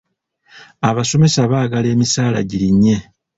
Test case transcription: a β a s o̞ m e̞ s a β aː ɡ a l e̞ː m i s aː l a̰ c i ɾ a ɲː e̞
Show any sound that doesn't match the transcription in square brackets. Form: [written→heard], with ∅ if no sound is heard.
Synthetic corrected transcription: a β a s o̞ m e̞ s a β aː ɡ a l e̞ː m i s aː l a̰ [c→ɟ] i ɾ [a→i] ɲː e̞